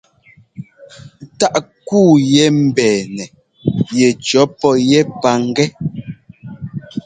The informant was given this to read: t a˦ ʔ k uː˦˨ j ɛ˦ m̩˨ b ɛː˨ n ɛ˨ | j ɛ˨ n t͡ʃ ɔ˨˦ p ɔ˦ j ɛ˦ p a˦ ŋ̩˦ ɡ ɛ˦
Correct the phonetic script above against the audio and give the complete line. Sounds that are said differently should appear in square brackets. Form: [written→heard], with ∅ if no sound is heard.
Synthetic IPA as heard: t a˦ ʔ k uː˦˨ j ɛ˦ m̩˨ b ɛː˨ n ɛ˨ | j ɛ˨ [n→∅] t͡ʃ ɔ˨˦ p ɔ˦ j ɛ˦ p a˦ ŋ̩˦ ɡ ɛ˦